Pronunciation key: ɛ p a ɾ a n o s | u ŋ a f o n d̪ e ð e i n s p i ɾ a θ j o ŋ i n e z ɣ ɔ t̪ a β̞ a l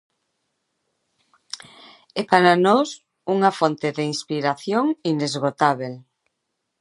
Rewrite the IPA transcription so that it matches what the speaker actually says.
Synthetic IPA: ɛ p a ɾ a n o s | u ŋ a f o n t̪ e ð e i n s p i ɾ a θ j o ŋ i n e z ɣ o t̪ a β̞ e l

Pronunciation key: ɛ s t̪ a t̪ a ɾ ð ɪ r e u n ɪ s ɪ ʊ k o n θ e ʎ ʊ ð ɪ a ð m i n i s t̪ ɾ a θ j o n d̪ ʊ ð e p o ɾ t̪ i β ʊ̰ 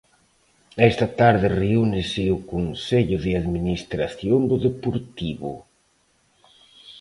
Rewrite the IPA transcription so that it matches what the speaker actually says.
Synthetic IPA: ɛ s t̪ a t̪ a ɾ ð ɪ r e u n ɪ s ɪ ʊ k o n s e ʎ ʊ ð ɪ a ð m i n i s t̪ ɾ a θ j o n d̪ ʊ ð e p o ɾ t̪ i β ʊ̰

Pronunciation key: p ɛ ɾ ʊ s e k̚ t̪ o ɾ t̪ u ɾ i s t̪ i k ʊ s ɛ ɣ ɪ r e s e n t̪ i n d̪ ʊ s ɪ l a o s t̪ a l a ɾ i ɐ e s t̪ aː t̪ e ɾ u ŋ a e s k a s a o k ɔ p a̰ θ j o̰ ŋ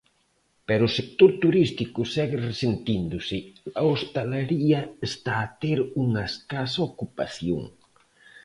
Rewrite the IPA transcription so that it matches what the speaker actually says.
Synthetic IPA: p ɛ ɾ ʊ s e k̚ t̪ o ɾ t̪ u ɾ i s t̪ i k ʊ s ɛ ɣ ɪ r e s e n t̪ i n d̪ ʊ s ɪ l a o s t̪ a l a ɾ i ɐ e s t̪ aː t̪ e ɾ u ŋ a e s k a s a o k u p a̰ θ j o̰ ŋ

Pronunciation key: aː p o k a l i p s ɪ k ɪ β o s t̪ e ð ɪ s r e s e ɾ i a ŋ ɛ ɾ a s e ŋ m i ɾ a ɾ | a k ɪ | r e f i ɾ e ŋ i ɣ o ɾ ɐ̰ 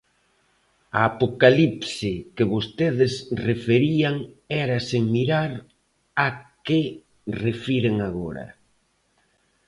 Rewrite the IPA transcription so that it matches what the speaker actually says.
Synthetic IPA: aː p o k a l i p s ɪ k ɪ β o s t̪ e ð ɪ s r e f e ɾ i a ŋ ɛ ɾ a s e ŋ m i ɾ a ɾ | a k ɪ | r e f i ɾ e ŋ a ɣ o ɾ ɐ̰

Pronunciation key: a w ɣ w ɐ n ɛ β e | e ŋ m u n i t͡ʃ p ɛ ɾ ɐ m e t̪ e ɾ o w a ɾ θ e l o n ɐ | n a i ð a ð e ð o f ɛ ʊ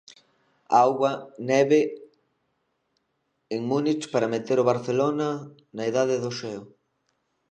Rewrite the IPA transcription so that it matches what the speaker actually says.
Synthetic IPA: a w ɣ w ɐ n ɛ β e | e ŋ m u n i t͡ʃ p a ɾ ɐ m e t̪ e ɾ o β a ɾ θ e l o n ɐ | n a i ð a ð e ð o ʃ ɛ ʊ

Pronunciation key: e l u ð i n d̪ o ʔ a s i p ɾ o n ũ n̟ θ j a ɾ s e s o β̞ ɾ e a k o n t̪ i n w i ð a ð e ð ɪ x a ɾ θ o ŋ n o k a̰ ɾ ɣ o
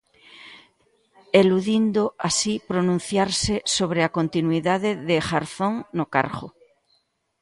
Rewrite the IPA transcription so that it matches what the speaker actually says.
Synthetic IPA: e l u ð i n d̪ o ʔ a s i p ɾ o n ũ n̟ θ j a ɾ s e s o β̞ ɾ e a k o n t̪ i n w i ð a ð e ð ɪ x a ɾ θ o ŋ n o k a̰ ɾ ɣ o

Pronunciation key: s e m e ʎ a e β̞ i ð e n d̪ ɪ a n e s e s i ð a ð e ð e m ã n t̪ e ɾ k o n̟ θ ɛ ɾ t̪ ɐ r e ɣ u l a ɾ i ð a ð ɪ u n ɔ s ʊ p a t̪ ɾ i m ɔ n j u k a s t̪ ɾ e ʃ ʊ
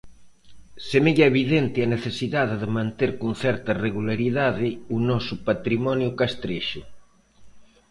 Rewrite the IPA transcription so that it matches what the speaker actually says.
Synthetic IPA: s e m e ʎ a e β̞ i ð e n t̪ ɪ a n e θ e s i ð a ð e ð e m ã n t̪ e ɾ k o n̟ θ ɛ ɾ t̪ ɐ r e ɣ u l a ɾ i ð a ð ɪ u n ɔ s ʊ p a t̪ ɾ i m ɔ n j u k a s t̪ ɾ e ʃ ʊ

